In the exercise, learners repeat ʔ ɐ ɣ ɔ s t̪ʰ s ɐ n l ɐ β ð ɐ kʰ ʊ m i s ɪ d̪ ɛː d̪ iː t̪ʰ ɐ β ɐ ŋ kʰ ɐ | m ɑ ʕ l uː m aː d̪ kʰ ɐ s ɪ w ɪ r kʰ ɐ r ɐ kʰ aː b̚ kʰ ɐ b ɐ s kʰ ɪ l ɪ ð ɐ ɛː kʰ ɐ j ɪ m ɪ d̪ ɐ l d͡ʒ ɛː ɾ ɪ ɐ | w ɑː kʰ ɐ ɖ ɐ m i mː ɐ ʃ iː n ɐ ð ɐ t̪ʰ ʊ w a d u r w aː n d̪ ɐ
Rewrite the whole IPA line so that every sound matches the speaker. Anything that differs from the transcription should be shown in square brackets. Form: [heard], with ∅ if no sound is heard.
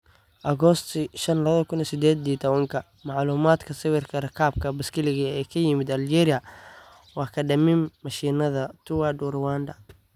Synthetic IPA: ʔ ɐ ɣ ɔ s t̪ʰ [ʃ] ɐ n l ɐ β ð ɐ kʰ ʊ [n] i s ɪ d̪ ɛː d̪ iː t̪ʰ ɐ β ɐ ŋ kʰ ɐ | m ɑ ʕ l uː m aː d̪ kʰ ɐ s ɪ w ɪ r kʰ ɐ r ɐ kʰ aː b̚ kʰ ɐ b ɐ s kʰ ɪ l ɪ [ɣ] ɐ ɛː kʰ ɐ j ɪ m ɪ d̪ ɐ l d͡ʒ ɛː ɾ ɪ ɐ | w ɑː kʰ ɐ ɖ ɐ m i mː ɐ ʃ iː n ɐ ð ɐ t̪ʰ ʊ w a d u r w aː n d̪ ɐ

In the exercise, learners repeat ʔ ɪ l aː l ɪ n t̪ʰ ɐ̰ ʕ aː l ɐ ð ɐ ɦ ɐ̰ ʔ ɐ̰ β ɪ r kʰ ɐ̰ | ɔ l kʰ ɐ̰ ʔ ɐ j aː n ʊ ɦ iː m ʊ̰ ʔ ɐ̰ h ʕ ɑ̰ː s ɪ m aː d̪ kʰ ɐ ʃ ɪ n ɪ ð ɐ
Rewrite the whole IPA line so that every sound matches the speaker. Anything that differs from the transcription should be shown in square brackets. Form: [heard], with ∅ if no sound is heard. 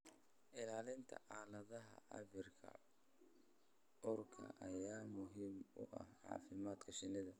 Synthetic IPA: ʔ ɪ l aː l ɪ n t̪ʰ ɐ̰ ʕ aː l ɐ ð ɐ ɦ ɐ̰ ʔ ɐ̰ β ɪ r kʰ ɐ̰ | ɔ [r] kʰ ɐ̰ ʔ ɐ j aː [m] ʊ ɦ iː m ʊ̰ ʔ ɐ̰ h ʕ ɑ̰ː [f] ɪ m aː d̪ kʰ ɐ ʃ ɪ n ɪ ð ɐ

